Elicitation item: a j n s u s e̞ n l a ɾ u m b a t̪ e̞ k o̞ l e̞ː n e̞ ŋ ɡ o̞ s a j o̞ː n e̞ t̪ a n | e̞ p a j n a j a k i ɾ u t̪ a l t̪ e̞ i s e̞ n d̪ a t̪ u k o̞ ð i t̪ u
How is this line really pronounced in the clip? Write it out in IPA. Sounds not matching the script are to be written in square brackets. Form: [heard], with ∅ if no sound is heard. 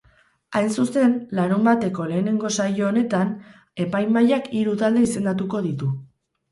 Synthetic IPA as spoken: a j n s u s e̞ n l a ɾ u m b a t̪ e̞ k o̞ l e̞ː n e̞ ŋ ɡ o̞ s a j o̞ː n e̞ t̪ a n | e̞ p a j [m] a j a k i ɾ u t̪ a l [d̪] e̞ i s e̞ n d̪ a t̪ u k o̞ ð i t̪ u